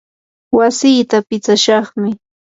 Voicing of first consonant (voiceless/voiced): voiced